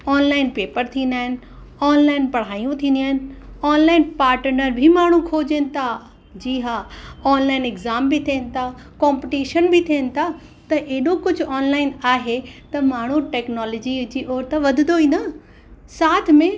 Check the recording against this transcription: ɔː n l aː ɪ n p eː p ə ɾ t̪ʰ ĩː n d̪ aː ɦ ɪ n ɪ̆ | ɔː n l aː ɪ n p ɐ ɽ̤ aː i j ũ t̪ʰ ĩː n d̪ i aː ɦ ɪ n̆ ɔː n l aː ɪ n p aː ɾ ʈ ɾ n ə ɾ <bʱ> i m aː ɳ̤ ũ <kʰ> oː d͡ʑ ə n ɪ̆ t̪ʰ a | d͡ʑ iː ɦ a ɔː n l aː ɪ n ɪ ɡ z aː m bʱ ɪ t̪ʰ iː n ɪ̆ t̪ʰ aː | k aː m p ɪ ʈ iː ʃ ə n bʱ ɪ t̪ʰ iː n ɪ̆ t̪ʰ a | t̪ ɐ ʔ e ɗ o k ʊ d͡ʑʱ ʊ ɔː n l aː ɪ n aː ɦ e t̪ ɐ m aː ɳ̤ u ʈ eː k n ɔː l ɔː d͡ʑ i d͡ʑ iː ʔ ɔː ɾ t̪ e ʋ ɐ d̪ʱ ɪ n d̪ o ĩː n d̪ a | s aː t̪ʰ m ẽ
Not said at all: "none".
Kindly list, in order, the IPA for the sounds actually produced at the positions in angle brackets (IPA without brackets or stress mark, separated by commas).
bʱ, kʰ